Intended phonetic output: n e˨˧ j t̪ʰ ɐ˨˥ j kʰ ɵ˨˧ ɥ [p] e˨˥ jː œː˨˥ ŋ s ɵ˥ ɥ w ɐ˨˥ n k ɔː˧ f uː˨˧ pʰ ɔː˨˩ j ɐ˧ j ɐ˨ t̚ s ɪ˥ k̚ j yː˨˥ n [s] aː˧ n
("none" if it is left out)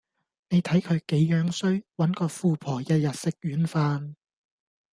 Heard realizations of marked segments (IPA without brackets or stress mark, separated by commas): k, f